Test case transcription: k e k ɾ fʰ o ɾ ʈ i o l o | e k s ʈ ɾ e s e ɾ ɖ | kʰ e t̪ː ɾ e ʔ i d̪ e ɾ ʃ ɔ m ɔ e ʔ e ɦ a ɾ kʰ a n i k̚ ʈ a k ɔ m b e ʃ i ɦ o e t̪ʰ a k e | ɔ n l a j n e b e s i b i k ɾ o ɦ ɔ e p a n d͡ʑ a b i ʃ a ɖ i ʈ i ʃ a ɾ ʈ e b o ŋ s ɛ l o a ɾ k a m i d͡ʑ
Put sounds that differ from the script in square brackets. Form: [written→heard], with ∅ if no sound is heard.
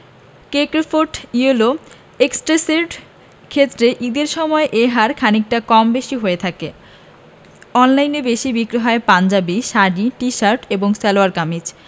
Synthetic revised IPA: k e k ɾ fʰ o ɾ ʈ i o l o | e k s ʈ ɾ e s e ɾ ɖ | kʰ e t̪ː ɾ e ʔ i d̪ e ɾ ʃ ɔ m ɔ e ʔ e ɦ a ɾ kʰ a n i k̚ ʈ a k ɔ m b e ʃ i ɦ o e t̪ʰ a k e | ɔ n l a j n e b e [s→ʃ] i b i k ɾ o ɦ ɔ e p a n d͡ʑ a b i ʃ a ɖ i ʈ i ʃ a ɾ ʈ e b o ŋ s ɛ l o a ɾ k a m i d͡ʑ